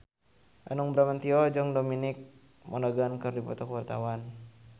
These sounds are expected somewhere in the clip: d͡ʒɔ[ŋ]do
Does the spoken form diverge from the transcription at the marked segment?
no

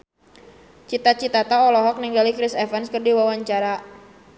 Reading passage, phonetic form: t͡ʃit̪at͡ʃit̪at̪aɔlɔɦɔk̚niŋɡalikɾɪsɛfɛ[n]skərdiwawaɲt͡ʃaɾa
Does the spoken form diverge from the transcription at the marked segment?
no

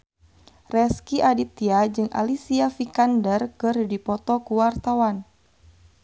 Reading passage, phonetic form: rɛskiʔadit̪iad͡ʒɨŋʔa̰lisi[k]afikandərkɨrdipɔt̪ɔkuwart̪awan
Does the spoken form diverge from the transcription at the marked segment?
yes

